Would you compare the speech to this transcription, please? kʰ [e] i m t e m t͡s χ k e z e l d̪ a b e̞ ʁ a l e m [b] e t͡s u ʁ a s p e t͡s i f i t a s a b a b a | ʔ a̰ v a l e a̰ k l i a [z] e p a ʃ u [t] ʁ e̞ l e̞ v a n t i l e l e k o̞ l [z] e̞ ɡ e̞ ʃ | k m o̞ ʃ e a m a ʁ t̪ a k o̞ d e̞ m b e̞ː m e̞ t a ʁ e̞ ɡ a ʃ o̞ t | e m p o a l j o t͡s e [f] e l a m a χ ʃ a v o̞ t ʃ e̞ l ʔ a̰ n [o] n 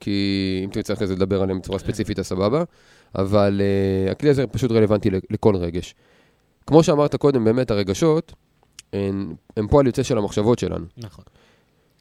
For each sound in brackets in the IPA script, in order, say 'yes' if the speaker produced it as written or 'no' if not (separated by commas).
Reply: no, yes, yes, yes, no, no, no